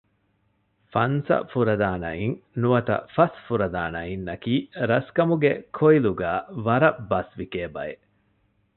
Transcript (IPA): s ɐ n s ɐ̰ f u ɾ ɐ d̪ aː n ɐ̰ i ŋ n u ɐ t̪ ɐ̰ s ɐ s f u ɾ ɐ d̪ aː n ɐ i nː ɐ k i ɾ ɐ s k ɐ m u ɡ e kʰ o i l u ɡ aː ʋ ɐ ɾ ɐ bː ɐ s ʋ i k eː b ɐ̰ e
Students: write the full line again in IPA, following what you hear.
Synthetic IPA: f ɐ n s ɐ̰ f u ɾ ɐ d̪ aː n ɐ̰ i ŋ n u ɐ t̪ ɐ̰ f ɐ s f u ɾ ɐ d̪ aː n ɐ i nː ɐ k iː ɾ ɐ s k ɐ m u ɡ e kʰ o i l u ɡ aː ʋ ɐ ɾ ɐ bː ɐ s ʋ i k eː b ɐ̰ e